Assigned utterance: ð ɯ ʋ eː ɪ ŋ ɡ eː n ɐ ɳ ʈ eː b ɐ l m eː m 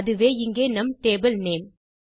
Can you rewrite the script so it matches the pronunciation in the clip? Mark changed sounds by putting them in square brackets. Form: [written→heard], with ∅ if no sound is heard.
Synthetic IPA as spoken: ð ɯ ʋ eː ɪ ŋ ɡ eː n ɐ [ɳ→m] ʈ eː b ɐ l [m→n] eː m

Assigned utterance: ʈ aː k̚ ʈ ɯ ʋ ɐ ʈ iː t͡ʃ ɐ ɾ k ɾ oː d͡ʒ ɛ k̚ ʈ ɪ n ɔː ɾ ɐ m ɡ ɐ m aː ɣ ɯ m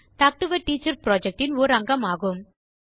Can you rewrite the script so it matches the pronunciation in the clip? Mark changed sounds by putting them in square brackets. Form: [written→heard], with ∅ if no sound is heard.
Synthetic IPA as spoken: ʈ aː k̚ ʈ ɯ ʋ ɐ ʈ iː t͡ʃ ɐ ɾ [k→p] ɾ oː d͡ʒ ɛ k̚ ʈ ɪ n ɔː ɾ ɐ [m→ŋ] ɡ ɐ m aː ɣ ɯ m

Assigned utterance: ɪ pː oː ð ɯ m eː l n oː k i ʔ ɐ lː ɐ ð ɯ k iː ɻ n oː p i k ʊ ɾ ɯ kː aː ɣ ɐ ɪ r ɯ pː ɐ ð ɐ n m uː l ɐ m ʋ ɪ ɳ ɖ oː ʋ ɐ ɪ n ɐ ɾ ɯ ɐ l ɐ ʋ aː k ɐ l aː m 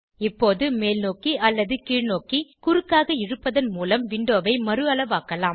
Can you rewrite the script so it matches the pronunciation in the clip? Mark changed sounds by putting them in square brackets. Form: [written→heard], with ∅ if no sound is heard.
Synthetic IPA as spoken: ɪ pː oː ð ɯ m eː l n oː k i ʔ ɐ lː ɐ ð ɯ k iː ɻ n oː [p→k] i k ʊ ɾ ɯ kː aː ɣ ɐ ɪ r ɯ pː ɐ ð ɐ n m uː l ɐ m ʋ ɪ ɳ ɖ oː ʋ ɐ ɪ [n→m] ɐ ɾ ɯ ɐ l ɐ ʋ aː k ɐ l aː m

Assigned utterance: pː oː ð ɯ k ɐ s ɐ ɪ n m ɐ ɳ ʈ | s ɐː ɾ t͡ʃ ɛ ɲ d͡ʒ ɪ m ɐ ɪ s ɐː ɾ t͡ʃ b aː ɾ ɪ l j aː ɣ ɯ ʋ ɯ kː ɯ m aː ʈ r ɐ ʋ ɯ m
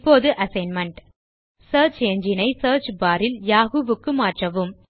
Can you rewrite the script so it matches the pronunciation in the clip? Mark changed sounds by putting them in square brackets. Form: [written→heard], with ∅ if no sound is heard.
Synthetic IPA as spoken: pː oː ð ɯ [k→ʔ] ɐ s ɐ ɪ n m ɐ ɳ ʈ | s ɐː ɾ t͡ʃ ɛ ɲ d͡ʒ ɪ [m→n] ɐ ɪ s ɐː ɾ t͡ʃ b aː ɾ ɪ l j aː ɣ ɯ ʋ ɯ kː ɯ m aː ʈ r ɐ ʋ ɯ m

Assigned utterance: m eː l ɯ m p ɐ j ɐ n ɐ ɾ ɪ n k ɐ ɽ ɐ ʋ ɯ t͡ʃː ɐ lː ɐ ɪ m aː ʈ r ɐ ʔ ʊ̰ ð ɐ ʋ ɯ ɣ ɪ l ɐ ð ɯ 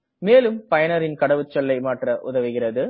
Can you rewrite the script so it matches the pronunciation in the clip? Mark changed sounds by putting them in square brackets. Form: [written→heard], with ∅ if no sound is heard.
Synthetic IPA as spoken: m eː l ɯ m p ɐ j ɐ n ɐ ɾ ɪ n k ɐ ɽ ɐ ʋ ɯ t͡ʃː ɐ lː ɐ ɪ m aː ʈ r ɐ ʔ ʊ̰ ð ɐ ʋ ɯ ɣ ɪ [l→r] ɐ ð ɯ

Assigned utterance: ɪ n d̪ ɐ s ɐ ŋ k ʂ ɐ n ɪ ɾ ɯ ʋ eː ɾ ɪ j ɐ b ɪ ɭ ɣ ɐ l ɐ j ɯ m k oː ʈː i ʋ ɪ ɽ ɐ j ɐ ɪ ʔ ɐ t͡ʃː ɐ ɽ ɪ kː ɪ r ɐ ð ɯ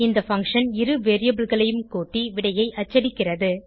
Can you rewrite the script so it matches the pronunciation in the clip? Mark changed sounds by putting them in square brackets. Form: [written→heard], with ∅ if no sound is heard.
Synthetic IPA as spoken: ɪ n d̪ ɐ [s→f] ɐ ŋ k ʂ ɐ n ɪ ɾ ɯ ʋ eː ɾ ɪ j ɐ b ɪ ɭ ɣ ɐ [l→ɭ] ɐ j ɯ m k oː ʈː i ʋ ɪ ɽ ɐ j ɐ ɪ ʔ ɐ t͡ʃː ɐ ɽ ɪ kː ɪ r ɐ ð ɯ

